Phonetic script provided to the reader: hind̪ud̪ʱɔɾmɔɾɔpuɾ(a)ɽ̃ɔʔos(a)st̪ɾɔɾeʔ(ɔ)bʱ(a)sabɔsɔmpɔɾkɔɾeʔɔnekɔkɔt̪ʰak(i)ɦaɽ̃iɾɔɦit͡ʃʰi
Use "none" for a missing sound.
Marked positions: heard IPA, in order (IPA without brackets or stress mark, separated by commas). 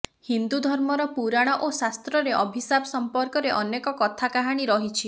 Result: a, a, ɔ, i, a